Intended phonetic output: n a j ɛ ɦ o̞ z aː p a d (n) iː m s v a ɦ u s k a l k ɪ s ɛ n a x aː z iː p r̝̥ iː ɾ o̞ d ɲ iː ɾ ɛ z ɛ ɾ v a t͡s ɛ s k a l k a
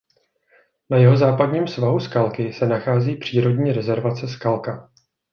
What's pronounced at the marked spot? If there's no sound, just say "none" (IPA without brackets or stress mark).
ɲ